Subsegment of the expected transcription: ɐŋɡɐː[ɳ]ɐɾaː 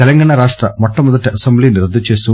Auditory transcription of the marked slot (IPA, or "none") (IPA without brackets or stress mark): ɳ